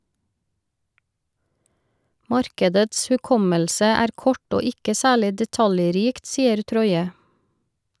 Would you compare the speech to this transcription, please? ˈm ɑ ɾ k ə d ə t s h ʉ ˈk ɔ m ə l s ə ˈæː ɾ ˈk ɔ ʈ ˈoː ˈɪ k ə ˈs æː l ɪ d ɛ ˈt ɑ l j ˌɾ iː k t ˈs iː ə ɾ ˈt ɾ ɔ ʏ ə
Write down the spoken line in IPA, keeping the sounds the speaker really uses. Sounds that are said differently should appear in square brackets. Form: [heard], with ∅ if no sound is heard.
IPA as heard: ˈm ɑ ɾ k ə d ə t s h ʉ ˈk ɔ m ə l s ə ˈæː ɾ ˈk ɔ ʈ ˈoː ˈɪ k ə ˈs æː [ɭ] ɪ d ɛ ˈt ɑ l j ˌɾ iː k t ˈs iː ə ɾ ˈt ɾ ɔ ʏ ə